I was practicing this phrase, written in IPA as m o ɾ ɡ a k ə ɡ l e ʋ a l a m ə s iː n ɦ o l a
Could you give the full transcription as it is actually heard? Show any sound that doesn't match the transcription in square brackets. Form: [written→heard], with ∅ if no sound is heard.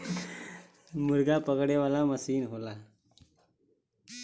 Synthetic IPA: m [o→u] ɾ ɡ a [k→p] ə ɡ [l→ɽ] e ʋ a l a m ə s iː n ɦ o l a